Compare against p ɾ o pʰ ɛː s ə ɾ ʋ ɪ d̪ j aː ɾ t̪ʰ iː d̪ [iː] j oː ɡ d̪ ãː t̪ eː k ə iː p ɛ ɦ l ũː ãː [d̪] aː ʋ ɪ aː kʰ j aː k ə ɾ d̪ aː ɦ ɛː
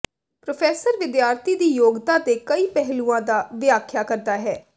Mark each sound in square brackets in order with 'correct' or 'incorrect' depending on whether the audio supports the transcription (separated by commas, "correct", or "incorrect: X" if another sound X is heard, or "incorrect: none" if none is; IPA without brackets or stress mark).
correct, correct